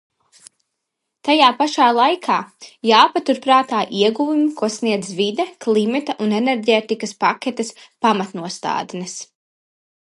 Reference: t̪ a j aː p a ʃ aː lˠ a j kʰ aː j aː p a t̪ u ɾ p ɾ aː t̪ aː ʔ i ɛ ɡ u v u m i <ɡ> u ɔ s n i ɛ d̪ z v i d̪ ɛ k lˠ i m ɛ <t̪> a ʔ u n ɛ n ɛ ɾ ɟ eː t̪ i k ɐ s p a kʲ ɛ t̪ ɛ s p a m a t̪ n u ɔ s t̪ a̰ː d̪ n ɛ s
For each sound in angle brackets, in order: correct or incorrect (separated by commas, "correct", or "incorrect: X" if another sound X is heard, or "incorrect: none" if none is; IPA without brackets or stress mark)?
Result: incorrect: k, correct